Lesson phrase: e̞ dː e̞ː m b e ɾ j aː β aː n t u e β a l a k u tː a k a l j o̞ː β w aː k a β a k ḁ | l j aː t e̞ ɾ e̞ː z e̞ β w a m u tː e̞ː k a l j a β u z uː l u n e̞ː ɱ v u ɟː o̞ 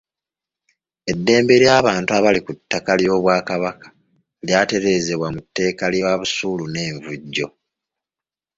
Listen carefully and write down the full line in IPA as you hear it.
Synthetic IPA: e̞ dː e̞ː m b e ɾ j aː β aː n t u a β a l i k u tː a k a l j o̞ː β w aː k a β a k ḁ | l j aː t e̞ ɾ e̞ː z e̞ β w a m u tː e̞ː k a l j a β u s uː l u n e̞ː ɱ v u ɟː o̞